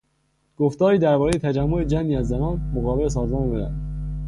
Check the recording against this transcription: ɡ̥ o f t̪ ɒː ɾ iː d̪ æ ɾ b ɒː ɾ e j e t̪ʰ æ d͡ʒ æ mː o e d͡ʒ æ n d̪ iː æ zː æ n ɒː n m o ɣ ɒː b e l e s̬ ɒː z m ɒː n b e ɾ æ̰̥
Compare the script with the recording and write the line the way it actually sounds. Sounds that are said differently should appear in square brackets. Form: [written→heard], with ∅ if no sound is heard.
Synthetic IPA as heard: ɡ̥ o f t̪ ɒː ɾ iː d̪ æ ɾ b ɒː ɾ e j e t̪ʰ æ d͡ʒ æ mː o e d͡ʒ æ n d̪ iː æ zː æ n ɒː n m o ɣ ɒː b e l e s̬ ɒː z m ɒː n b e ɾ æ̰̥